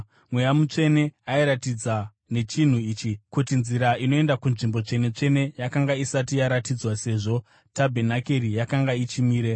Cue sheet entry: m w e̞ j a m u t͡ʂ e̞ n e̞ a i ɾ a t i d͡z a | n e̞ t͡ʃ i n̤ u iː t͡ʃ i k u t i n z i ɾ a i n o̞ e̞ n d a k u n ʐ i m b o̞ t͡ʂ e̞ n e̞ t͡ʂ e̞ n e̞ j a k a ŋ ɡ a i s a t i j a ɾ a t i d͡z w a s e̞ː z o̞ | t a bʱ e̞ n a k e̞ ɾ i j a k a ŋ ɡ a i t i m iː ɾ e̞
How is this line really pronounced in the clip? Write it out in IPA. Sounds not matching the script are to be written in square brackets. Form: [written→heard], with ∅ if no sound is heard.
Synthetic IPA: m w e̞ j a m u t͡ʂ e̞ n e̞ a i ɾ a t i d͡z a | n e̞ t͡ʃ i n̤ u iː t͡ʃ i k u t i n z i ɾ a i n o̞ e̞ n d a k u n ʐ i m b o̞ t͡ʂ e̞ n e̞ t͡ʂ e̞ n e̞ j a k a ŋ ɡ a i s a t i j a ɾ a t i d͡z w a s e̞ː [z→ʐ] o̞ | t a bʱ e̞ n a k e̞ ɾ i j a k a ŋ ɡ a i [t→t͡ʃ] i m iː ɾ e̞